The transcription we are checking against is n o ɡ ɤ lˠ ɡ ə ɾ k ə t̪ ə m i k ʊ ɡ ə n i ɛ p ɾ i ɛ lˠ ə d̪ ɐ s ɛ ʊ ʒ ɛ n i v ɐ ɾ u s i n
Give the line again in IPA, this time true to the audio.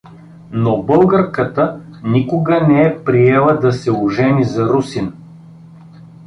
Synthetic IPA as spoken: n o b ɤ lˠ ɡ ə ɾ k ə t̪ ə n i k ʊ ɡ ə n ɛ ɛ p ɾ i ɛ lˠ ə d̪ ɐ s ɛ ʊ ʒ ɛ n i z ɐ ɾ u s i n